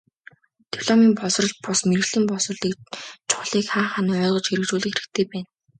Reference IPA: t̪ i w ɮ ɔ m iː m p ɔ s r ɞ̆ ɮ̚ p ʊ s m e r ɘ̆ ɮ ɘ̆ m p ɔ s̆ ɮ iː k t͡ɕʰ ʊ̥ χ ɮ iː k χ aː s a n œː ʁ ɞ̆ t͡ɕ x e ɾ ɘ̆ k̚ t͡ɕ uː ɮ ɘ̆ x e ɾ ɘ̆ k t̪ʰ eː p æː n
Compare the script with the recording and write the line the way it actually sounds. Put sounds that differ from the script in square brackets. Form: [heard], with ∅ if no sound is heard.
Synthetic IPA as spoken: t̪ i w ɮ ɔ m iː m p ɔ s r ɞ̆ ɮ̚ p ʊ s m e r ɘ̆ ɮ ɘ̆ m p ɔ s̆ ɮ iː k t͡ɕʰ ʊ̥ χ ɮ iː k χ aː [χ] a n œː ʁ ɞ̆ t͡ɕ x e ɾ ɘ̆ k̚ t͡ɕ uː ɮ ɘ̆ x e ɾ ɘ̆ k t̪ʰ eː p æː n